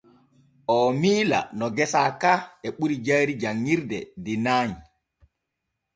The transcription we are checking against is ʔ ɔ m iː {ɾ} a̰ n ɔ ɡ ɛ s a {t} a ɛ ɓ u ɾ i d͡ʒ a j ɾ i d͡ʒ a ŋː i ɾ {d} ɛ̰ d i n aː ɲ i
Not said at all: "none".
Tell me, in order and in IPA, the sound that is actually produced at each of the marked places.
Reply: l, k, d

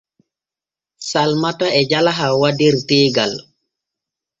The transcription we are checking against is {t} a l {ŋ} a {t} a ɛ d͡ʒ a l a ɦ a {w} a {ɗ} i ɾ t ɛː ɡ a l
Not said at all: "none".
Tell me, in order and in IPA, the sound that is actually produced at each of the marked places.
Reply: s, m, t, w, d

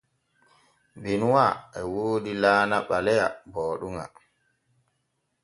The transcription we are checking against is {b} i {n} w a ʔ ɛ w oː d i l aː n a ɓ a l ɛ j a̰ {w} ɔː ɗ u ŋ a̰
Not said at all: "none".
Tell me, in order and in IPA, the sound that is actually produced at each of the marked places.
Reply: b, n, b

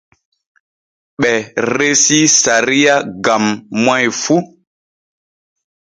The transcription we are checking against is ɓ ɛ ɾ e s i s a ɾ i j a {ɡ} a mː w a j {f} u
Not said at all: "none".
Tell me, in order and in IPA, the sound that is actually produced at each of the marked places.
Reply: ɡ, f

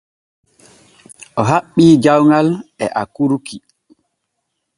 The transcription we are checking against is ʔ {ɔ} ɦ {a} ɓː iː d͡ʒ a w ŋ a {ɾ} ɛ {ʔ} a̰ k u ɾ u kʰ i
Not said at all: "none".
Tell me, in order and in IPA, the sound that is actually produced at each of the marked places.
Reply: ɔ, a, l, ʔ

